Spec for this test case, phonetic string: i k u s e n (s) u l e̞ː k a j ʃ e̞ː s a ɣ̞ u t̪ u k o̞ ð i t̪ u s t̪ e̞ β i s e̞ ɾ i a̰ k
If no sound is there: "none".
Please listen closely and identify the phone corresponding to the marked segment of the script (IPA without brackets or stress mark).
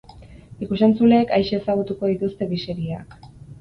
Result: t͡s